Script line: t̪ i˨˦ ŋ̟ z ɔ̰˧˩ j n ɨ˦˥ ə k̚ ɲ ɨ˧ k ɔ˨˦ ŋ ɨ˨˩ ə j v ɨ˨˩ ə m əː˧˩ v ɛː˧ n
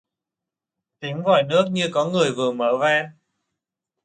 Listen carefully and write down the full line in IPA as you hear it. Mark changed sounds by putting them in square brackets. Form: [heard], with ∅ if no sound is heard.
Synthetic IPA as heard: t̪ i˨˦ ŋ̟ [v] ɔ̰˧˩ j n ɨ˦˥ ə k̚ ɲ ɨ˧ k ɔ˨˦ ŋ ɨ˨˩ ə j v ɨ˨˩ ə m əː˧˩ v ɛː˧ n